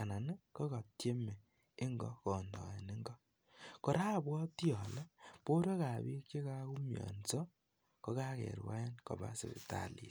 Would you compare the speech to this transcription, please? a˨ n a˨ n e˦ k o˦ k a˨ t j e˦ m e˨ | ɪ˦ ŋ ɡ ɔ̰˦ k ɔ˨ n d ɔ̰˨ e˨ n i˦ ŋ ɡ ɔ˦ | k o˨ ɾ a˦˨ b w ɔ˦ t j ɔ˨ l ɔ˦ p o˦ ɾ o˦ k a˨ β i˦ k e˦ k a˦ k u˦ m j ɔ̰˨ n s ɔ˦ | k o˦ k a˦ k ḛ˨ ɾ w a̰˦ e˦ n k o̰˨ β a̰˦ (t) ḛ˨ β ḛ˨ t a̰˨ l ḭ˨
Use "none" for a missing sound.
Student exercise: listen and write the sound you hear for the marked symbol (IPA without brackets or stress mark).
s